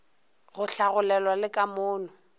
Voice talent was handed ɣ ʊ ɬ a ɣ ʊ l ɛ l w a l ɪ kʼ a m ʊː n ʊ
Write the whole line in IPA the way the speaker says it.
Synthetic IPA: ɣ ʊ ɬ a ɣ ʊ l ɛ l w a l ɪ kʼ a m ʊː n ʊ